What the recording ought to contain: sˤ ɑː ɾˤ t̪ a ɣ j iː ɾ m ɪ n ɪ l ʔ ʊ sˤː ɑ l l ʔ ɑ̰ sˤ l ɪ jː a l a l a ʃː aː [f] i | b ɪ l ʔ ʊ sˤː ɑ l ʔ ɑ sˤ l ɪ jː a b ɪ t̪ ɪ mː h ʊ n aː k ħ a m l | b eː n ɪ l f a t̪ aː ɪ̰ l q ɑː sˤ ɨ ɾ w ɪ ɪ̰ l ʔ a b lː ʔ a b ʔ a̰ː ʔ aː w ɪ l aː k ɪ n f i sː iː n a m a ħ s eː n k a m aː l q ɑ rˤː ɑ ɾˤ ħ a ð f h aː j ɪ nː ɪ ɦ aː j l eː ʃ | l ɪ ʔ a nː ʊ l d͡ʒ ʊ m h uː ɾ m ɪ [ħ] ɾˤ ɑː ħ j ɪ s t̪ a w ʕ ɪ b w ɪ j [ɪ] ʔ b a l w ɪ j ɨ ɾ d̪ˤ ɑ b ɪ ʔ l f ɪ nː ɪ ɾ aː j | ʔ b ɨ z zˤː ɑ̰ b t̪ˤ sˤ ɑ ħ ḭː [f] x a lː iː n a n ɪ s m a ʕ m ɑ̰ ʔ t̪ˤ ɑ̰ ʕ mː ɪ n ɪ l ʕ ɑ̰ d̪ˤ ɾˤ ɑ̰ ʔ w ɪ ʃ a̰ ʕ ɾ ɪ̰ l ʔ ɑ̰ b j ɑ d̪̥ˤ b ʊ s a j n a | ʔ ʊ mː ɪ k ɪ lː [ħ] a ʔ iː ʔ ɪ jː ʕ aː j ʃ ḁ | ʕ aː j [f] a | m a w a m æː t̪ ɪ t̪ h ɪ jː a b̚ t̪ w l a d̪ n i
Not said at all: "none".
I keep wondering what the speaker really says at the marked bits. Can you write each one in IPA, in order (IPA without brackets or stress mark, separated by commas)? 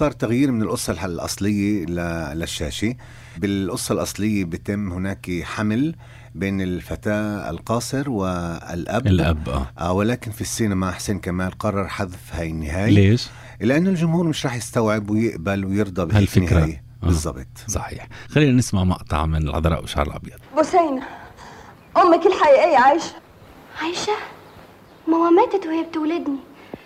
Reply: ʃ, ʃ, ɪ, ħ, ħ, ʃ